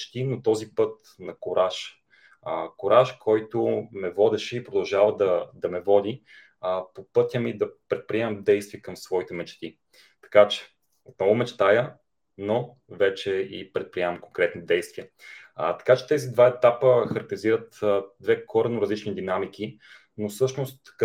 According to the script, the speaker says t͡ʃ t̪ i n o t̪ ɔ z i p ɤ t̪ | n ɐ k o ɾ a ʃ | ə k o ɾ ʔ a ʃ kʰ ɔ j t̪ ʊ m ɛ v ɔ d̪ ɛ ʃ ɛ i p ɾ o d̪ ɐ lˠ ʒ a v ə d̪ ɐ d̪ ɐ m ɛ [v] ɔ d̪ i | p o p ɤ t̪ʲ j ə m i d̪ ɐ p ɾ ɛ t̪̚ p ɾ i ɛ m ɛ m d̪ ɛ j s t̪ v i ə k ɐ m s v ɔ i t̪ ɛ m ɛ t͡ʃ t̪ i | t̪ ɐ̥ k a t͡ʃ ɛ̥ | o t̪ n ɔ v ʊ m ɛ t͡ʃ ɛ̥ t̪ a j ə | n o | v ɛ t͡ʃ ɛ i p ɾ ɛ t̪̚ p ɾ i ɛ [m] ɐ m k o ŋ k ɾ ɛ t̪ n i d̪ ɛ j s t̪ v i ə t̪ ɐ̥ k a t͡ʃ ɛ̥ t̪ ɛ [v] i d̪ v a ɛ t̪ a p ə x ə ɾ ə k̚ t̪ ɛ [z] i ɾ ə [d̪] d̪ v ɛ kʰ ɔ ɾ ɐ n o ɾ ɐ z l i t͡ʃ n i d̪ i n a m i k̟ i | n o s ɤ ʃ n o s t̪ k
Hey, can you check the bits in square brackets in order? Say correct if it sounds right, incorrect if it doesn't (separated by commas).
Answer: correct, correct, incorrect, correct, incorrect